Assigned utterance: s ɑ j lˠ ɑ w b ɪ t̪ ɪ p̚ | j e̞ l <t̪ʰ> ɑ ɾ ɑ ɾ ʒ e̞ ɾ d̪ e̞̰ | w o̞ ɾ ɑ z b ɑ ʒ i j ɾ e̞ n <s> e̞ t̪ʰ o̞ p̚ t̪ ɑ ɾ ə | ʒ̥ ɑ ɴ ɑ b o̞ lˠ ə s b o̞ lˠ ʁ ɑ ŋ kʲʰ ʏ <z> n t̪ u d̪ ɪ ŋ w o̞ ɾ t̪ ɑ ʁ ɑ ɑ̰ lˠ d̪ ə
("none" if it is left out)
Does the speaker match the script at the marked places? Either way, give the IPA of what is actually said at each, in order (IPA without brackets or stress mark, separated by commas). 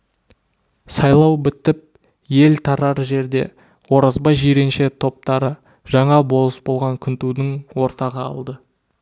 t̪ʰ, ʃ, none